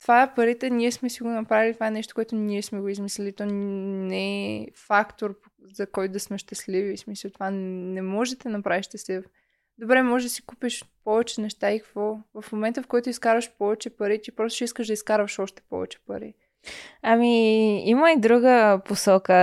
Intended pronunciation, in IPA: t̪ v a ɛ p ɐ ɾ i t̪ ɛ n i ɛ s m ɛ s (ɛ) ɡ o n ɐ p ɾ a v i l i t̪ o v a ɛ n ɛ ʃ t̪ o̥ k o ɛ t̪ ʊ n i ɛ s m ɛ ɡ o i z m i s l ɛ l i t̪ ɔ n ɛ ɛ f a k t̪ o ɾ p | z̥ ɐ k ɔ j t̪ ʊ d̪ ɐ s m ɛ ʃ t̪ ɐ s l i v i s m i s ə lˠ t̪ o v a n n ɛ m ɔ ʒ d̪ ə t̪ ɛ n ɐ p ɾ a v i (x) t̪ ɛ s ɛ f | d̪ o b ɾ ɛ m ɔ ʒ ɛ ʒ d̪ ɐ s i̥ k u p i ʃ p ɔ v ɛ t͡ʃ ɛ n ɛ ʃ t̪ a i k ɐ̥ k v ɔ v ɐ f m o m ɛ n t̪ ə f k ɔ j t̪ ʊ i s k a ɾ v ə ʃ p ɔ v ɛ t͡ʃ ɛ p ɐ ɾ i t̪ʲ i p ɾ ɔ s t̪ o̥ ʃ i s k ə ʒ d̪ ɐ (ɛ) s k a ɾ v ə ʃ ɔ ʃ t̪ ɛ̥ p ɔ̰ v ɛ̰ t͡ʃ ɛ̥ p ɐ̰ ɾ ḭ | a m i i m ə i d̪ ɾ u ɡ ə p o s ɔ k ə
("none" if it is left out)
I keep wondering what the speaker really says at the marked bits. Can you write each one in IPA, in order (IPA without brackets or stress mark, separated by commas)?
i, ʃ, i